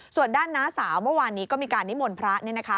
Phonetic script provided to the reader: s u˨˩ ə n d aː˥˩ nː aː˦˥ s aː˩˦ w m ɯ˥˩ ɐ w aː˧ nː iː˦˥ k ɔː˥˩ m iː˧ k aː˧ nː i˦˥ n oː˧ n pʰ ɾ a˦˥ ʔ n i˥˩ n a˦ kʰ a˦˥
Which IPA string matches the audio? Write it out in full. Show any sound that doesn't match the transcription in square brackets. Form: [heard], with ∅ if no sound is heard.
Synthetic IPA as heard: s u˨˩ ə n d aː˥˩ nː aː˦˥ s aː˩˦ w m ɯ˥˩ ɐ w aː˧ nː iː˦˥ k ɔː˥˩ m iː˧ k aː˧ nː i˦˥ [m] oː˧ n pʰ ɾ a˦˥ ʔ n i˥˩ n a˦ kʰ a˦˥

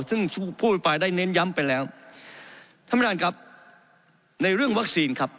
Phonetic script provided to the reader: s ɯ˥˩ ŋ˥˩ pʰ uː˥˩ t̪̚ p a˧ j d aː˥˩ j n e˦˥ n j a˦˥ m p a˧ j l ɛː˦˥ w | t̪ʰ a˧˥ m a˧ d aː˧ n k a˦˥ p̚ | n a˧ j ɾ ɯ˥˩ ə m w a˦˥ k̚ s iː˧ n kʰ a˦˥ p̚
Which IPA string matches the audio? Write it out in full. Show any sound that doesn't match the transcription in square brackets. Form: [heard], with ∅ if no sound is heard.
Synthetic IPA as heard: s ɯ˥˩ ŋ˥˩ pʰ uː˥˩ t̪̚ p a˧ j d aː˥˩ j n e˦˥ n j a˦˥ m p a˧ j l ɛː˦˥ w | t̪ʰ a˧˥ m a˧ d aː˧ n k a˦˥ p̚ | n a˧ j ɾ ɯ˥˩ ə [ŋ] w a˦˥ k̚ s iː˧ n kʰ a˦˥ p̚

